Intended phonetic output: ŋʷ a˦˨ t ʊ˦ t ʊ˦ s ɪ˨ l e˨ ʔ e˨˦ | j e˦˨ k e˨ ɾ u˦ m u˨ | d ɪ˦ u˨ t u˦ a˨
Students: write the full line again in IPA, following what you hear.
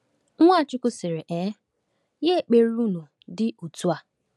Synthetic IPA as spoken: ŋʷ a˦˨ t͡ʃ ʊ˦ k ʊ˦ s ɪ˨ ɾ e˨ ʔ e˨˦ | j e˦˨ k͡p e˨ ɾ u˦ n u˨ | d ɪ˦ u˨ t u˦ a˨